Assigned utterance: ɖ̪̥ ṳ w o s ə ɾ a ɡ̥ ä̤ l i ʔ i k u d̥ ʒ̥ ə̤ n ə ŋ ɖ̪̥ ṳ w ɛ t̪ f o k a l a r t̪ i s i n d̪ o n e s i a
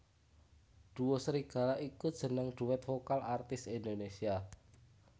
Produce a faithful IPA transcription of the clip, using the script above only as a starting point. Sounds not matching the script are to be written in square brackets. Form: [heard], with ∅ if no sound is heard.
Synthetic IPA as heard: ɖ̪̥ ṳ w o s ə ɾ [i] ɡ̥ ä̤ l [a] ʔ i k u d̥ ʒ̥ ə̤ n ə ŋ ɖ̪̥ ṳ w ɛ t̪ f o k a l a r t̪ [ɪ] s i n d̪ o n e s i a

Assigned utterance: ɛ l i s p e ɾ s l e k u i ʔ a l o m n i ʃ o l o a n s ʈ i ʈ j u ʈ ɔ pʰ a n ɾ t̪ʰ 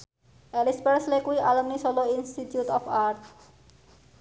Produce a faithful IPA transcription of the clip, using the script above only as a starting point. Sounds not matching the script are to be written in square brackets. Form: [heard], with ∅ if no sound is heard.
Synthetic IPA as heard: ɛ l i s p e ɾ s l e k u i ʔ a l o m n i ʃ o l o [i] n s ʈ i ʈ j u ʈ ɔ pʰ a [∅] ɾ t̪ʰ

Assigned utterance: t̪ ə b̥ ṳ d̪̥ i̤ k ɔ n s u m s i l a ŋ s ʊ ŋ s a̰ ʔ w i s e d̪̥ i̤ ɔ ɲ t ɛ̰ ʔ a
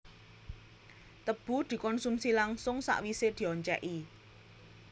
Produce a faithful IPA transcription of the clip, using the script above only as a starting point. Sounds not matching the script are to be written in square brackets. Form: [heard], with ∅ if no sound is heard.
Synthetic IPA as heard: t̪ ə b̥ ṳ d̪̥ i̤ k ɔ n s u m s i l a ŋ s ʊ ŋ s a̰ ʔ w i s e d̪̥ i̤ ɔ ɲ [t͡ʃ] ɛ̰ ʔ [i]

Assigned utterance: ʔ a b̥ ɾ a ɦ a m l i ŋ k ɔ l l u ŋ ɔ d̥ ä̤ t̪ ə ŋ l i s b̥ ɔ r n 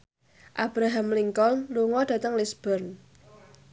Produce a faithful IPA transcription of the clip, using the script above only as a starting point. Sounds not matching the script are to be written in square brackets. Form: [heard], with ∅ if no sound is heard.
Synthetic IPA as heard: ʔ a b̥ ɾ a ɦ a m l i ŋ k ɔ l l u ŋ ɔ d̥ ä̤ t̪ ə ŋ l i s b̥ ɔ r n

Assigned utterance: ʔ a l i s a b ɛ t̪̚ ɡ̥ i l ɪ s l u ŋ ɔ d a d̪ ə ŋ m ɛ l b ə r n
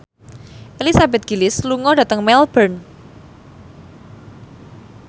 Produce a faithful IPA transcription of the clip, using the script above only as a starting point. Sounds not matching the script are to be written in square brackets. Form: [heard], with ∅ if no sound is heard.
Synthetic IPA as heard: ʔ [e] l i s a b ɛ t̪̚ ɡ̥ i l ɪ s l u ŋ ɔ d a [t̪] ə ŋ m ɛ l b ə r n

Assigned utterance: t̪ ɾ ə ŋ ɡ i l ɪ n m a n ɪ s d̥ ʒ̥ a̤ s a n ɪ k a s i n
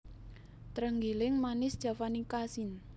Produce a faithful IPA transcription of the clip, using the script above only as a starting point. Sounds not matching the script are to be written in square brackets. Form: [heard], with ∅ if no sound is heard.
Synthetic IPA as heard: t̪ ɾ ə ŋ ɡ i l ɪ [ŋ] m a n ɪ s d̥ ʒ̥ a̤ [f] a n [i] k a s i n

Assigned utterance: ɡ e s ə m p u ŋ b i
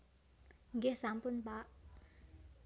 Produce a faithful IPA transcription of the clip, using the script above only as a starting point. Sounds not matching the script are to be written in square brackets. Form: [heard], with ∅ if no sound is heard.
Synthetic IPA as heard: ɡ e s [a] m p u [n] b [a]

